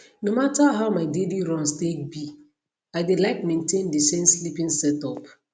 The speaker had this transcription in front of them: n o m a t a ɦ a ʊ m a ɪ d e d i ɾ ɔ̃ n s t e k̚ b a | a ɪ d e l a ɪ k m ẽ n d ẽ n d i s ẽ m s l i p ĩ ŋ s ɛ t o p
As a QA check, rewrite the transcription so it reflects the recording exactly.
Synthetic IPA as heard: n o m a t a ɦ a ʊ m a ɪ d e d i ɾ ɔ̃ n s t e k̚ b i | a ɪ d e l a ɪ k m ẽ n t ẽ n d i s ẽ m s l i p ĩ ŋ s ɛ t ɔ p